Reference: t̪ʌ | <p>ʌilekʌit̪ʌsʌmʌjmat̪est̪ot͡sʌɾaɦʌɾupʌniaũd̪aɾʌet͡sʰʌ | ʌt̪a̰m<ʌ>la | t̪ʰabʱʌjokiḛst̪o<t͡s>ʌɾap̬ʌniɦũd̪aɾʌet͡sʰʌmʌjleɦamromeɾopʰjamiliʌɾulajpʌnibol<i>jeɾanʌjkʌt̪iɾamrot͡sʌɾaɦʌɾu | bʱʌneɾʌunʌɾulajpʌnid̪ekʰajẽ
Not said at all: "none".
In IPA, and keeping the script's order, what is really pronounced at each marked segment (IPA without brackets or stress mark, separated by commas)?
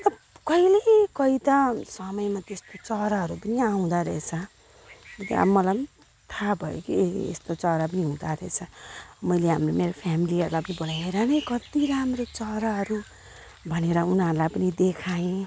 k, ʌ, t͡s, a